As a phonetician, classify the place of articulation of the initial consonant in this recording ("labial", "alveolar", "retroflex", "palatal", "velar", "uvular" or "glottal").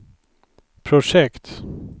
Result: labial